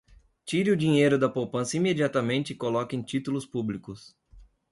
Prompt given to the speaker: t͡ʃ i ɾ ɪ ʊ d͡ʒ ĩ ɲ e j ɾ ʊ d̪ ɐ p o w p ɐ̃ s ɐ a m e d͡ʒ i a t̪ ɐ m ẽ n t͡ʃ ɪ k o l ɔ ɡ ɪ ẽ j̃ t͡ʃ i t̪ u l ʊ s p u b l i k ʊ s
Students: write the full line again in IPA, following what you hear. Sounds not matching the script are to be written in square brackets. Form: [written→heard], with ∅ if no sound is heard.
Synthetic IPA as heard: t͡ʃ i ɾ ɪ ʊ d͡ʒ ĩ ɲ e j ɾ ʊ d̪ ɐ p o w p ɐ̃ s ɐ [a→i] m e d͡ʒ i a t̪ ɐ m ẽ n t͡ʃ ɪ k o l ɔ [ɡ→k] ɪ ẽ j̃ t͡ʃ i t̪ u l ʊ s p u b l i k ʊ s